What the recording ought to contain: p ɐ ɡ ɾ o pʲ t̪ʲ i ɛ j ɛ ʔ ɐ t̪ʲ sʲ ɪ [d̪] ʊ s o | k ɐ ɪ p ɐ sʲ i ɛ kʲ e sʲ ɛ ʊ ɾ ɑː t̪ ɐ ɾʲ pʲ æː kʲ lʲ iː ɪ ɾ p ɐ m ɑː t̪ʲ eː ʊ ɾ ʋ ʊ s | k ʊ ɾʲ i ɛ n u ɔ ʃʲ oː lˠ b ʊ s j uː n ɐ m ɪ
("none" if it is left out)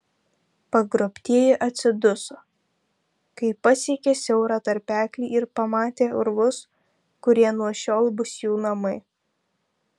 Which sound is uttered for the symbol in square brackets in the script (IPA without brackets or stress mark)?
d̪